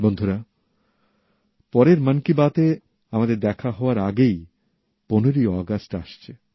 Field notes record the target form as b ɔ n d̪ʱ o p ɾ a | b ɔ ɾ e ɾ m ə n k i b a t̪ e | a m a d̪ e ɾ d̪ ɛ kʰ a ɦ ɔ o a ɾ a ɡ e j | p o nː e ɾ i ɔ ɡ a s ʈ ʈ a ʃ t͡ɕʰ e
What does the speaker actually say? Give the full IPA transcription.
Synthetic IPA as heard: b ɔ n d̪ʱ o ɾ a | p ɔ ɾ e ɾ m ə n k i b a t̪ e | a m a d̪ e ɾ d̪ ɛ kʰ a ɦ ɔ o a ɾ a ɡ e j | p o n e ɾ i ɔ ɡ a s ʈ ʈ a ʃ t͡ɕʰ e